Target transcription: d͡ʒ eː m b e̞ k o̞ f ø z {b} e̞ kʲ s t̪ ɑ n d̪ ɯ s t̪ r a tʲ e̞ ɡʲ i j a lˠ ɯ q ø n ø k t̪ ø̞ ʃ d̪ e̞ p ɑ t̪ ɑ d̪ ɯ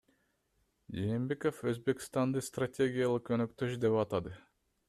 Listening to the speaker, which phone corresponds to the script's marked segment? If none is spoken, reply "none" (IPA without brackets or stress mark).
b